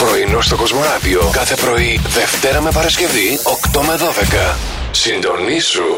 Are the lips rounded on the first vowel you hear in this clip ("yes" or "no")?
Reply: yes